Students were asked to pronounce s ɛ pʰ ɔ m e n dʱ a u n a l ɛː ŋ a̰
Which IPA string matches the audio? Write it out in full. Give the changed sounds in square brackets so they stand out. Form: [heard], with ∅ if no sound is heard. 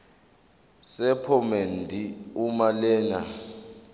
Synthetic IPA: s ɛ pʰ ɔ m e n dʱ [i] u [m] a l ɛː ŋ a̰